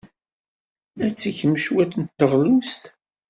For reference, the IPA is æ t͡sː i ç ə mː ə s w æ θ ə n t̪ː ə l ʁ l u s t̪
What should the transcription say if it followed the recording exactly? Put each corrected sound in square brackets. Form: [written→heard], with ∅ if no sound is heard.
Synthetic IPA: æ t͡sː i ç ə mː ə [s→ʃ] w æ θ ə n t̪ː ə [l→∅] ʁ l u s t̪